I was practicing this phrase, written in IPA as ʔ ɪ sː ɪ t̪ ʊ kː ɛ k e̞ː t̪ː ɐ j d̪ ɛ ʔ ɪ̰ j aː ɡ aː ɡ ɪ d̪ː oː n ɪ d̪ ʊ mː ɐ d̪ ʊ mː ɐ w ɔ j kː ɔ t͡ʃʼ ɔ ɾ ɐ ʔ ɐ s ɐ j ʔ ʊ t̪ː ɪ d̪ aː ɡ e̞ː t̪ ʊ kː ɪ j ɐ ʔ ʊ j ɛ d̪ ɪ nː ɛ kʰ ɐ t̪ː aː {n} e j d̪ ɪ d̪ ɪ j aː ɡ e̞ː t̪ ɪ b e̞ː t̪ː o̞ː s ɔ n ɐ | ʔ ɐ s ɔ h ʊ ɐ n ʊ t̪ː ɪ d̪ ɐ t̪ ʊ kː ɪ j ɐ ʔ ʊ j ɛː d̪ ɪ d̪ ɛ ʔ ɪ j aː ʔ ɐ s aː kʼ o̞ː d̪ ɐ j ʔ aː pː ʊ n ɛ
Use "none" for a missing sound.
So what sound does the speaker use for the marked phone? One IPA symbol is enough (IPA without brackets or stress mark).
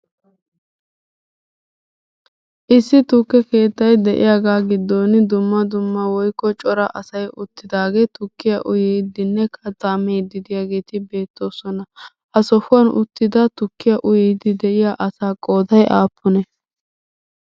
m